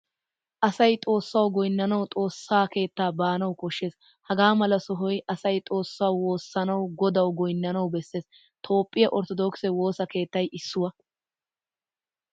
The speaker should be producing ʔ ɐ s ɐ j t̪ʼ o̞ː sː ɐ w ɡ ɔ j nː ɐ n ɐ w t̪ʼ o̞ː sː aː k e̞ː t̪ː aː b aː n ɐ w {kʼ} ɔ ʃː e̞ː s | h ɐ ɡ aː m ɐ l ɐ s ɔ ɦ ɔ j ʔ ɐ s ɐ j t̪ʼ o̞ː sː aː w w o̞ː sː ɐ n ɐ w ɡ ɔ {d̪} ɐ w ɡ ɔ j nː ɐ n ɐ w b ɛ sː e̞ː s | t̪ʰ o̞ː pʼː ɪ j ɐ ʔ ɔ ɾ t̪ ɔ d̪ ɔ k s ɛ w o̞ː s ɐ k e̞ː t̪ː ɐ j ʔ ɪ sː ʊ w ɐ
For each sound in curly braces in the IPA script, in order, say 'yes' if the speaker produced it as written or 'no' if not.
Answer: no, yes

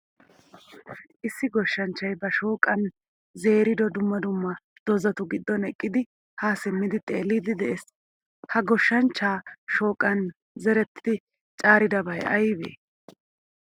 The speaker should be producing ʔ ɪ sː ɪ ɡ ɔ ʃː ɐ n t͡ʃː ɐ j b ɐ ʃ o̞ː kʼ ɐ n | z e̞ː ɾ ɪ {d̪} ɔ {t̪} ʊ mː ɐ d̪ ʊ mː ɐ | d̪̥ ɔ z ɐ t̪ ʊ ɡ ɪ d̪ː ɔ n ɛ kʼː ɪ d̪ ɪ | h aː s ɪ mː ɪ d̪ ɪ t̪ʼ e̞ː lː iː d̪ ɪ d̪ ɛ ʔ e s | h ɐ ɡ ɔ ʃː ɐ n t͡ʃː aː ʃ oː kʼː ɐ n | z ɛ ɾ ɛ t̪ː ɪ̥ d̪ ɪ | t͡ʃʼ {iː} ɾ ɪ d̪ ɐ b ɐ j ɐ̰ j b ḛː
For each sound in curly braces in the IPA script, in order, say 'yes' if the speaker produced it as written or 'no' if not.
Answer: yes, no, no

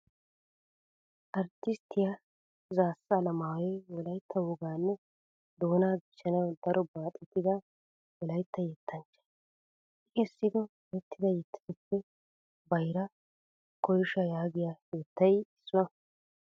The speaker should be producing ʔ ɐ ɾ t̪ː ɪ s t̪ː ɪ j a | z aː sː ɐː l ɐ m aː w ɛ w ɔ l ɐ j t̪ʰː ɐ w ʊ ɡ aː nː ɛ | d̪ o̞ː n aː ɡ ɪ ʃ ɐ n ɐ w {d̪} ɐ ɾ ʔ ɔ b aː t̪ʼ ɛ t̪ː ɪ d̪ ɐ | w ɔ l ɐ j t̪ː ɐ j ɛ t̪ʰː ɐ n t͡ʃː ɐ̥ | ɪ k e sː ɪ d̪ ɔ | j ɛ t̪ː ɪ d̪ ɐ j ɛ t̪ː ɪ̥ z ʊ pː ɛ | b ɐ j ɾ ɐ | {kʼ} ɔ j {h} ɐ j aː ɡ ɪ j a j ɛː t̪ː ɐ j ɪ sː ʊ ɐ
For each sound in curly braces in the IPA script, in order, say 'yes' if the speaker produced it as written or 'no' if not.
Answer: yes, no, no

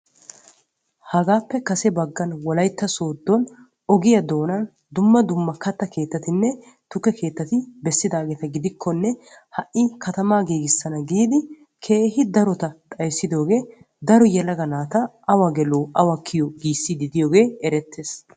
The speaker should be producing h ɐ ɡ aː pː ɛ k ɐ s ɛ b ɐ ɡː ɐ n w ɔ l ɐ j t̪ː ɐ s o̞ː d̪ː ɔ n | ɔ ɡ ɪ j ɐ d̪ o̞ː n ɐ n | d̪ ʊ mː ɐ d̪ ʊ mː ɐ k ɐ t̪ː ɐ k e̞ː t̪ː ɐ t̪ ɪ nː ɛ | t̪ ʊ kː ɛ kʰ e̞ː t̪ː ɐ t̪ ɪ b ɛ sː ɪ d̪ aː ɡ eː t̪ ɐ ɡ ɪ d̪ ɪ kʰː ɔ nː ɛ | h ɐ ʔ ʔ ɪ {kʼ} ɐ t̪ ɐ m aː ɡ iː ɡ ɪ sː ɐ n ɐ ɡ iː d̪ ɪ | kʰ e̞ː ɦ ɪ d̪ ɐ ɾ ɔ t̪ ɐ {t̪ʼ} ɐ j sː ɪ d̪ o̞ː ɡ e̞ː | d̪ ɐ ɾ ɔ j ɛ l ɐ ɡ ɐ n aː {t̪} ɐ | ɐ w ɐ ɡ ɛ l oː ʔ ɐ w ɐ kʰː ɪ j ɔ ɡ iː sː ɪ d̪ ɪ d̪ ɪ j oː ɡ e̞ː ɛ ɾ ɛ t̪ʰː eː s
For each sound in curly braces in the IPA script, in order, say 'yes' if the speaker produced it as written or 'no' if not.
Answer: no, yes, yes

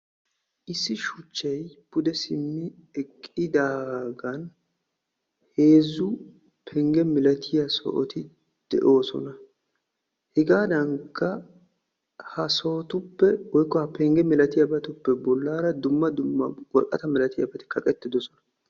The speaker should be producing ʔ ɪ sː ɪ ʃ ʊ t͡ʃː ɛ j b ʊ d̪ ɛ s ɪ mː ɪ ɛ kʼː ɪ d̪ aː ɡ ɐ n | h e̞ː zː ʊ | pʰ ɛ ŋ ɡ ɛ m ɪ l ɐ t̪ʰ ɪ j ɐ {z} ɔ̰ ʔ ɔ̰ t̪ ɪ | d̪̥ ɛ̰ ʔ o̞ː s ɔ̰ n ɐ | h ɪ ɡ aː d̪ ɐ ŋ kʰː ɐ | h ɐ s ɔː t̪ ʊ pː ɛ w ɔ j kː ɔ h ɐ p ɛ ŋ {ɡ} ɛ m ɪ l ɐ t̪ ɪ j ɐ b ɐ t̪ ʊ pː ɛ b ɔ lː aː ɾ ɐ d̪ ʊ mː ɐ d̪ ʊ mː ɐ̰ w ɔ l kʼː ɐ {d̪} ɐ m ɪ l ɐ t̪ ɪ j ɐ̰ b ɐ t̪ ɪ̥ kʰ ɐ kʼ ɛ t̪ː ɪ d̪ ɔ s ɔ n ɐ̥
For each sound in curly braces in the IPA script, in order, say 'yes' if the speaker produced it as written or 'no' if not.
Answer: no, yes, no

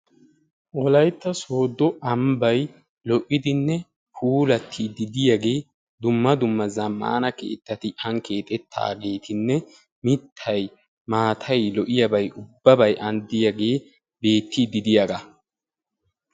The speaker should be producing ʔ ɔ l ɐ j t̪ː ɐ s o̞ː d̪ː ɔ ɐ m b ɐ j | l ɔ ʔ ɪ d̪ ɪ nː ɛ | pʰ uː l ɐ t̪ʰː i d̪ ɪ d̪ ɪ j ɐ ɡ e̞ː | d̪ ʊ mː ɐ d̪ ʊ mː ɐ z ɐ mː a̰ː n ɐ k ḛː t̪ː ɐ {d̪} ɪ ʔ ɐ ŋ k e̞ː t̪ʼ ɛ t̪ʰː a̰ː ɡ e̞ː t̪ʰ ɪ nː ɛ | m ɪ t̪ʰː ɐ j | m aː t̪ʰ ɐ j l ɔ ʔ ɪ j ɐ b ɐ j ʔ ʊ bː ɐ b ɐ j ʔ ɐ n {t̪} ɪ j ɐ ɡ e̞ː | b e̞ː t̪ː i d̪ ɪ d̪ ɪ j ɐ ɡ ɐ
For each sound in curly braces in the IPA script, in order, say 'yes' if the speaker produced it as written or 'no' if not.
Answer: no, no

